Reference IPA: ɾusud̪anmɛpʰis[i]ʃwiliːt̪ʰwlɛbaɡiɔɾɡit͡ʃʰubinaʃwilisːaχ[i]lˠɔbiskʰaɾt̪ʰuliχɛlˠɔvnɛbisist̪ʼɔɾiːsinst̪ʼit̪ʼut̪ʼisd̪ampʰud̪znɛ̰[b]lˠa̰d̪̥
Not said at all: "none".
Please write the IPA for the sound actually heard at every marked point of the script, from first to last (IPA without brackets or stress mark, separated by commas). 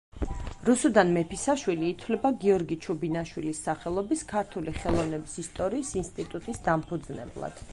a, ɛ, b